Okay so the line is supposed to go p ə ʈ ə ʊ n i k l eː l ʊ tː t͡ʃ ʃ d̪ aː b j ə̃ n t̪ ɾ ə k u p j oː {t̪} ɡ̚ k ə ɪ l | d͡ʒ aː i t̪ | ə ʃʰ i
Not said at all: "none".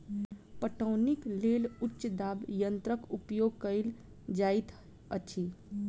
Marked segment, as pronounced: none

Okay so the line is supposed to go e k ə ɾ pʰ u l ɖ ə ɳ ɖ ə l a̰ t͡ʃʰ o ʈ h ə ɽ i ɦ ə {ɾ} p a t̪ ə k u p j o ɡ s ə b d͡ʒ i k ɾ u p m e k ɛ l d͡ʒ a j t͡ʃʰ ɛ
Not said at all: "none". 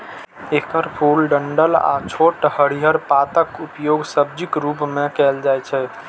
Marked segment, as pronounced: ɾ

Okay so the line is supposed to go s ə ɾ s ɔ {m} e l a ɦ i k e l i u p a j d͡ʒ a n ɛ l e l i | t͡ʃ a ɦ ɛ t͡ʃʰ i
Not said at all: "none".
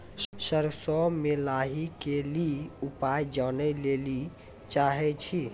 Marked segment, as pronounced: m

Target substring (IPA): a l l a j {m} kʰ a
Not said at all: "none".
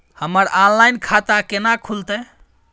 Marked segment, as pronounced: n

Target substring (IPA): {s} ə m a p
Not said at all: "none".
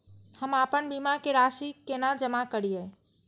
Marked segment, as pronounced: h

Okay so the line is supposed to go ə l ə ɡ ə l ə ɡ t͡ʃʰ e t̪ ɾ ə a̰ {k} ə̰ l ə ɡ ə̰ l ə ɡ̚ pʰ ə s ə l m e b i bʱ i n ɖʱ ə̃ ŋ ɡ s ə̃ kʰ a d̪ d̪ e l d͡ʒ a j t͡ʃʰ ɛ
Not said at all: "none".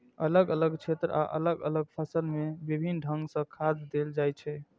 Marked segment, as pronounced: ʔ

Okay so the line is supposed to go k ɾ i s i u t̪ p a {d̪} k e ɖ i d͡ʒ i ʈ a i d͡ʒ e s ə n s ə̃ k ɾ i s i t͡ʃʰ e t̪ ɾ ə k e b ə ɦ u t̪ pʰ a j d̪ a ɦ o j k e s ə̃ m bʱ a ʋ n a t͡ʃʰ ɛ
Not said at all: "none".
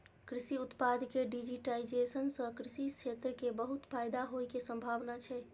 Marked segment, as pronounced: d̪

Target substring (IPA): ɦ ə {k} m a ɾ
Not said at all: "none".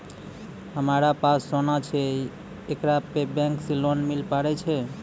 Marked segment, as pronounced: none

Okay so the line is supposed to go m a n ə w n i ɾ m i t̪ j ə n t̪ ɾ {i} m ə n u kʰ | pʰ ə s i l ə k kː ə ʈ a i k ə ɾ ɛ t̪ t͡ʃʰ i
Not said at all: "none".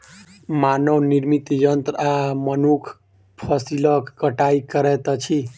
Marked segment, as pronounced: a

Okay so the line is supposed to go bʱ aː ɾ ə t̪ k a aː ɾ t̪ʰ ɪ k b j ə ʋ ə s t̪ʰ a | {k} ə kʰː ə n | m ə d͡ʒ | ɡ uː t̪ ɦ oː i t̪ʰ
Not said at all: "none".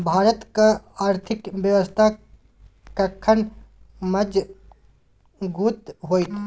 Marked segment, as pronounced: k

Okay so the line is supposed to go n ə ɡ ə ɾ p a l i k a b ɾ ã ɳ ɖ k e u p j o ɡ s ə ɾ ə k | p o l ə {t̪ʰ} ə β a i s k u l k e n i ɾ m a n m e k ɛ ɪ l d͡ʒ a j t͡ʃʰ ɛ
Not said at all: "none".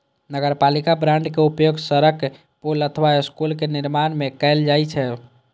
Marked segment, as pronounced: t̪ʰ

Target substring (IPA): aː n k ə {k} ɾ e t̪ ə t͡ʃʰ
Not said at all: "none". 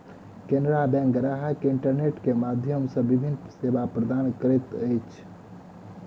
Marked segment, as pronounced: none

